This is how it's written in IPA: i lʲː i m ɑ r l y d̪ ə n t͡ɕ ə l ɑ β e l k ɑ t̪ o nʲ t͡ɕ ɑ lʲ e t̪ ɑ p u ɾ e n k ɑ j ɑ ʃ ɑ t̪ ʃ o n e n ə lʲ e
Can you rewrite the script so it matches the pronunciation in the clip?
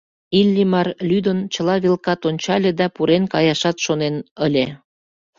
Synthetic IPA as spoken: i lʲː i m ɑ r l y d̪ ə n t͡ɕ ə l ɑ β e l k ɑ t̪ o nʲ t͡ɕ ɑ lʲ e d̪ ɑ p u ɾ e n k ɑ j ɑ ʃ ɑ t̪ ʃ o n e n ə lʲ e